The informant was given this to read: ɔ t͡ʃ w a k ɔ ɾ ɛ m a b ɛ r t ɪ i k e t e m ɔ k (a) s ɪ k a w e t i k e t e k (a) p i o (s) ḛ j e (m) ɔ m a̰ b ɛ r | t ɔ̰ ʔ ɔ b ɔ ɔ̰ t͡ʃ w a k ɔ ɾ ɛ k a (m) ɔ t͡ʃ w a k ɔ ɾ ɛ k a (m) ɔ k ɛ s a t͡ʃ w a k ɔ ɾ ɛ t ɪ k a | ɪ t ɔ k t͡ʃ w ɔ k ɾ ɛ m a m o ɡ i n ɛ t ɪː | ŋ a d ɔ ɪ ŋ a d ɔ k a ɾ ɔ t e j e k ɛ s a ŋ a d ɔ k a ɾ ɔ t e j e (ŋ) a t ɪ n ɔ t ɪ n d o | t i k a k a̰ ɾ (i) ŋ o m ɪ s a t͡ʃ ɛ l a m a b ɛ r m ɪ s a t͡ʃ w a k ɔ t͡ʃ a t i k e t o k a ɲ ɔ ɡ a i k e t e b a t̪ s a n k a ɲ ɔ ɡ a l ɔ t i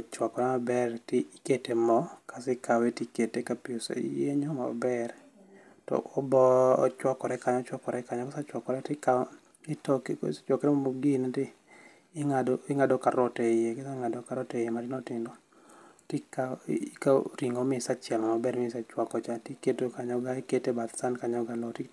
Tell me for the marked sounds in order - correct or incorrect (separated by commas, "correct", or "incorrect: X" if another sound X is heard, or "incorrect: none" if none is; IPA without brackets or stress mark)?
correct, correct, correct, incorrect: ɲ, incorrect: ɲ, incorrect: ɲ, incorrect: m, correct